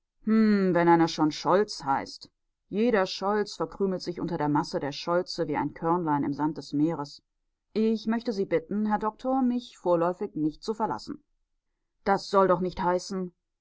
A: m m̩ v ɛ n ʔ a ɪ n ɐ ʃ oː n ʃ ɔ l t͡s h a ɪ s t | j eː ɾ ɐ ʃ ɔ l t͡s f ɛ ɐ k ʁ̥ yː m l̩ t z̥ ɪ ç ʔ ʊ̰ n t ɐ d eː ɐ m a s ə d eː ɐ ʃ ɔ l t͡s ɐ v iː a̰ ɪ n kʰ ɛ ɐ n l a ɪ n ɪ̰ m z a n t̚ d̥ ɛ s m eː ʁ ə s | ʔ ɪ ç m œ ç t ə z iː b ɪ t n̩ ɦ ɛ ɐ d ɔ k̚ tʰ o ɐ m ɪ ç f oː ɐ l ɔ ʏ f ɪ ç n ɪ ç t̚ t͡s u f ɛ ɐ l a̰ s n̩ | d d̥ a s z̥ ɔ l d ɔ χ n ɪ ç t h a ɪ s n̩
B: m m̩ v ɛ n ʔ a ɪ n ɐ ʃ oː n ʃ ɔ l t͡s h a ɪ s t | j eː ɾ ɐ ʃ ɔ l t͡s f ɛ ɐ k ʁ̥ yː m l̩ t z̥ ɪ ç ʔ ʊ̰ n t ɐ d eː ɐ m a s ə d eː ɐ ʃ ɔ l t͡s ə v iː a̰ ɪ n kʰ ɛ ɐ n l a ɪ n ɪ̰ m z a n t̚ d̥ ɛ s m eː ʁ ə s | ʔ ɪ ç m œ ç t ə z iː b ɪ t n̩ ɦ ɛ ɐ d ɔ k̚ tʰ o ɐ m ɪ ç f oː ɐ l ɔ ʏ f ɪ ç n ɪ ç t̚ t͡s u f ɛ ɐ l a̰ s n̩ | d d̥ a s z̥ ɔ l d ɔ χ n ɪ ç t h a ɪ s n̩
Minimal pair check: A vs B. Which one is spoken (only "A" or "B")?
B